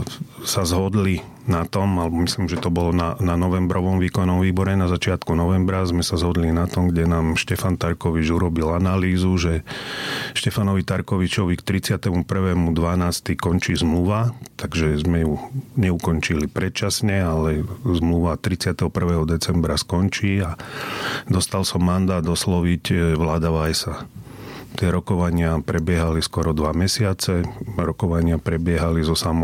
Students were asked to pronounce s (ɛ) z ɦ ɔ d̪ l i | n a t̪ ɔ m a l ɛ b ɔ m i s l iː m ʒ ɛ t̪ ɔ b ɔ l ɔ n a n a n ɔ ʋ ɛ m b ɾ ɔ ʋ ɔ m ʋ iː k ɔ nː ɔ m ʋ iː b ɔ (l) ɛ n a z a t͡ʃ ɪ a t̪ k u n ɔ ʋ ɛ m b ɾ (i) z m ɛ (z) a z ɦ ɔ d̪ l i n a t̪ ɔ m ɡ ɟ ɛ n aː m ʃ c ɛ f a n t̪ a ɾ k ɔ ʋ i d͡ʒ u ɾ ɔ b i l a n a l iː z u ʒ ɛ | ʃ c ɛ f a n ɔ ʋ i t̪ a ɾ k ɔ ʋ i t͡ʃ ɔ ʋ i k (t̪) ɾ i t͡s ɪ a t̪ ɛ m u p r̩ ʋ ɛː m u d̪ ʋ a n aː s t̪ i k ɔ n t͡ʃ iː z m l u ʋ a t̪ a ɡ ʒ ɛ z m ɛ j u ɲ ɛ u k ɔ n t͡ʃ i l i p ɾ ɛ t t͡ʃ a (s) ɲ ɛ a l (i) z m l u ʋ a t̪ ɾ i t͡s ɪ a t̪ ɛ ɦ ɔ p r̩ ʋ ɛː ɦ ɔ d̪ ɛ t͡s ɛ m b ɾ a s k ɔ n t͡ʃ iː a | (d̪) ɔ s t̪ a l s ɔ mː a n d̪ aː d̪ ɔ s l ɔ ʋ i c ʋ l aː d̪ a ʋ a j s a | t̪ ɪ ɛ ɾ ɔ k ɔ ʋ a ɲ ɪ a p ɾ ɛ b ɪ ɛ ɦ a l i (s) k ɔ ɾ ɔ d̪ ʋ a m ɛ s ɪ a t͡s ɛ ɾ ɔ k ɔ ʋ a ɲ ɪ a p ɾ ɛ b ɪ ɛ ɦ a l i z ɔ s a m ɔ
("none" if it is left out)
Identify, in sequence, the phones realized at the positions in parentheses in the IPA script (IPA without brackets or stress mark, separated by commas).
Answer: a, ɾ, a, s, t̪, s, ɛ, d̪, s